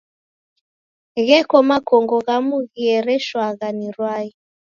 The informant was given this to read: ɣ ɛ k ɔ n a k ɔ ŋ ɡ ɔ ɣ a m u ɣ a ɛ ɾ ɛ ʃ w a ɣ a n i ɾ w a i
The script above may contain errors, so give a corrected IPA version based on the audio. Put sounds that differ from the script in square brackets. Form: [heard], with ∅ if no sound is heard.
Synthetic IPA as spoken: ɣ ɛ k ɔ [m] a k ɔ ŋ ɡ ɔ ɣ a m u ɣ [i] ɛ ɾ ɛ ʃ w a ɣ a n i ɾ w a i